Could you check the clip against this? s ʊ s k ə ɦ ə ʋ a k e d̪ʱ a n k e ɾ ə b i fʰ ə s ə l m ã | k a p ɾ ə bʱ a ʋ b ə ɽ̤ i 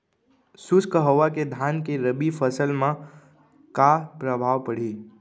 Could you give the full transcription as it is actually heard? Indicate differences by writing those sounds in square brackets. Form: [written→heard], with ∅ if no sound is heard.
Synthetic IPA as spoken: s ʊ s k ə ɦ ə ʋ a k e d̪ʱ a n k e ɾ ə b i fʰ ə s ə l m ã | k a p ɾ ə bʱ a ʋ [b→p] ə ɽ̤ i